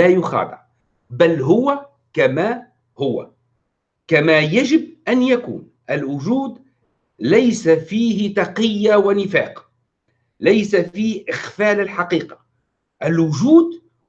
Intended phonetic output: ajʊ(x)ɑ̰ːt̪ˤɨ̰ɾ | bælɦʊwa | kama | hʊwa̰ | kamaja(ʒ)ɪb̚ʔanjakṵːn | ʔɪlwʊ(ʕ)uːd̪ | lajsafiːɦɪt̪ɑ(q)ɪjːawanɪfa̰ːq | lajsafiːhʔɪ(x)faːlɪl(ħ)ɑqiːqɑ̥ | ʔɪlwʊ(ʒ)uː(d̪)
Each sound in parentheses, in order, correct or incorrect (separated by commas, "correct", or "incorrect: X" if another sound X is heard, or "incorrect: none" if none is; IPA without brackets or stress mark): correct, correct, incorrect: ʒ, correct, correct, correct, correct, correct